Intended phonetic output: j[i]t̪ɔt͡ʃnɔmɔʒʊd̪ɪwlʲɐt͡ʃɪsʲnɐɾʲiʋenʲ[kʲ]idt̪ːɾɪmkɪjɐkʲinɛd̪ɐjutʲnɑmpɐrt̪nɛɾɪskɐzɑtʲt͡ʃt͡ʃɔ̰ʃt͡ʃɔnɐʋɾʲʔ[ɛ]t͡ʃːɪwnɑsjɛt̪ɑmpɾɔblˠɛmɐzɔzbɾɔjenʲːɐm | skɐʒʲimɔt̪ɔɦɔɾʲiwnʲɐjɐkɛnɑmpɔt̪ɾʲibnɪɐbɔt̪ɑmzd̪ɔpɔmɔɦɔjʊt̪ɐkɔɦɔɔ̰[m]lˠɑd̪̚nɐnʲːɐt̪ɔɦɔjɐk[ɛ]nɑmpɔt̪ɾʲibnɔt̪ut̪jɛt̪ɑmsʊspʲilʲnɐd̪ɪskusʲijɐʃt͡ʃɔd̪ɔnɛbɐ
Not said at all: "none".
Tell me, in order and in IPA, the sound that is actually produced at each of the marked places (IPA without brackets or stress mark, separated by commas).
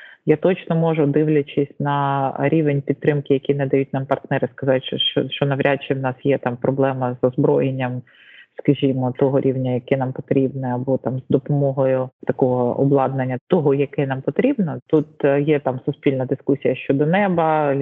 a, pʲ, a, b, ɛ